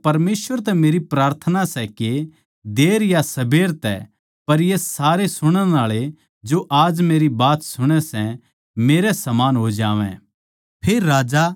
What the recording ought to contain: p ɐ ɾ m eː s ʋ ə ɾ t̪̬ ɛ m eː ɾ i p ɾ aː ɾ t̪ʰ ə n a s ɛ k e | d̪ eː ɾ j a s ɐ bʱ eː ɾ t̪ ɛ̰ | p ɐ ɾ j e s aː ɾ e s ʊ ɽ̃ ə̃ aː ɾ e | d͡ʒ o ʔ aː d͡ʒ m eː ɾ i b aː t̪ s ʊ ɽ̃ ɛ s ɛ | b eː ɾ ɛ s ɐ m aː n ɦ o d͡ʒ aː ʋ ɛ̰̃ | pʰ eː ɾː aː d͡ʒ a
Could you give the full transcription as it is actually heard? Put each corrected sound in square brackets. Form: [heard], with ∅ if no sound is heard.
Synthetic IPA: p ɐ ɾ m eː s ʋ ə ɾ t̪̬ ɛ m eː ɾ i p ɾ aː ɾ t̪ʰ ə n a s ɛ k e | d̪ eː ɾ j a s ɐ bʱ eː ɾ t̪ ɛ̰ | p ɐ ɾ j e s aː ɾ e s ʊ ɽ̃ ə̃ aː [ɭ] e | d͡ʒ o ʔ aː d͡ʒ m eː ɾ i b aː t̪ s ʊ ɽ̃ ɛ s ɛ | [m] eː ɾ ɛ s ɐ m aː n ɦ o d͡ʒ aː ʋ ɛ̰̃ | pʰ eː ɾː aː d͡ʒ a